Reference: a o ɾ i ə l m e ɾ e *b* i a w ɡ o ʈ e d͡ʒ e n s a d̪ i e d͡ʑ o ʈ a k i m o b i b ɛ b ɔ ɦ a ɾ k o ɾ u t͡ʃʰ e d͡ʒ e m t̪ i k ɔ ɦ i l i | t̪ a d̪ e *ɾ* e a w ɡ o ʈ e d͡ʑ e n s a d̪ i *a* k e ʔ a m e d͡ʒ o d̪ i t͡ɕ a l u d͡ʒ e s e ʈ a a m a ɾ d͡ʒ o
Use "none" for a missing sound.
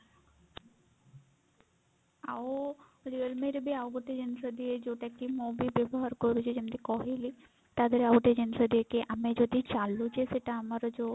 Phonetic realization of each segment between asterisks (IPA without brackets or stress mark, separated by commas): b, ɾ, e